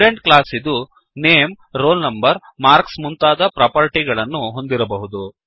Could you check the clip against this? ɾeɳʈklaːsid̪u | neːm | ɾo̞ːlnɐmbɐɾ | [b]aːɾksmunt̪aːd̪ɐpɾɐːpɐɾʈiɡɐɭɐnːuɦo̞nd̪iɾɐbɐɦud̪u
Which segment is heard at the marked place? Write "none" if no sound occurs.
m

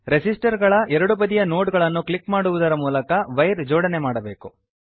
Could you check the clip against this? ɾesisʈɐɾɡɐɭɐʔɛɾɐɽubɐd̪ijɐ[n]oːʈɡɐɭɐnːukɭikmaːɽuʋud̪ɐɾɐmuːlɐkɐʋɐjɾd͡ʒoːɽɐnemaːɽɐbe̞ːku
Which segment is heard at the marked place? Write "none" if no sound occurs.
n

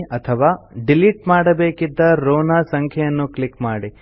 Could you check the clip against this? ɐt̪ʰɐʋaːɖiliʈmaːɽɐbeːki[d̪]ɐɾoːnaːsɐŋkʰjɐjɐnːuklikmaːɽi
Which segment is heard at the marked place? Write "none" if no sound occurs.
d̪ː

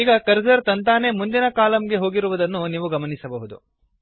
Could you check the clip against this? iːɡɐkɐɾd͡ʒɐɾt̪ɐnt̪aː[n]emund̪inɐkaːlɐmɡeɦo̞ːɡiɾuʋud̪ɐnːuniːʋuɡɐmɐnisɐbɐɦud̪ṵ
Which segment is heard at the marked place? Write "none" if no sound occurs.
n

